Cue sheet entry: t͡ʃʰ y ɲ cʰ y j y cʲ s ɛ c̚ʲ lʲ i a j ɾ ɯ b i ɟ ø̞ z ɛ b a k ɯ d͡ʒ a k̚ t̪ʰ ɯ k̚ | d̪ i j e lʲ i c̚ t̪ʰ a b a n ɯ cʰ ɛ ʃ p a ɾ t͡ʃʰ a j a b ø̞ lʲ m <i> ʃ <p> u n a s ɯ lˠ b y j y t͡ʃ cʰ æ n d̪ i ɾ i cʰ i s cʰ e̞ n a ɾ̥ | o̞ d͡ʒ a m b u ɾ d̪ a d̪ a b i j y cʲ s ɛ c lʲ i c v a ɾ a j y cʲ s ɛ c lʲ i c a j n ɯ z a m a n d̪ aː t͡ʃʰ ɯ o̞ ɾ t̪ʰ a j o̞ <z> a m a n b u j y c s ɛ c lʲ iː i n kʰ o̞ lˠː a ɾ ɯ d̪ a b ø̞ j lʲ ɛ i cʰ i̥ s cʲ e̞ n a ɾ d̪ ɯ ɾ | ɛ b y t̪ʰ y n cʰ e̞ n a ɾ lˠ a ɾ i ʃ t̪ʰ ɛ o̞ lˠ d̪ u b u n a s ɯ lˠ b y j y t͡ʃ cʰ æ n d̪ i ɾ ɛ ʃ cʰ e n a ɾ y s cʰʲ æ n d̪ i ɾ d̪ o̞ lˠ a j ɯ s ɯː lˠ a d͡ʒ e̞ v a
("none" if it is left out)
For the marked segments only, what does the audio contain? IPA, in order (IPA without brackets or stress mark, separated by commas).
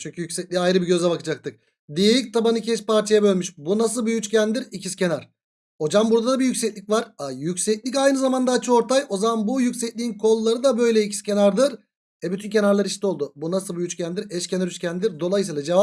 y, b, z